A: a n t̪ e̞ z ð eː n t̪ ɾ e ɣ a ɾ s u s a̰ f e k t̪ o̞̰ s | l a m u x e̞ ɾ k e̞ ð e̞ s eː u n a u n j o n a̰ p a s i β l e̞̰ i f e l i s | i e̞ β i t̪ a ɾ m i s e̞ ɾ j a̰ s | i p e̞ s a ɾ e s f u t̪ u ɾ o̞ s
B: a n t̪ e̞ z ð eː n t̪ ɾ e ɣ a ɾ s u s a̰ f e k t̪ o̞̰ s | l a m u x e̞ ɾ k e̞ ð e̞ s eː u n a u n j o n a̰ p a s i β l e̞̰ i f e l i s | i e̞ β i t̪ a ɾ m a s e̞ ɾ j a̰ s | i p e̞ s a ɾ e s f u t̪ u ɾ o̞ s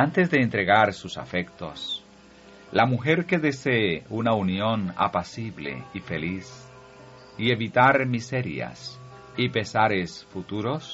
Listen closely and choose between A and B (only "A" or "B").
A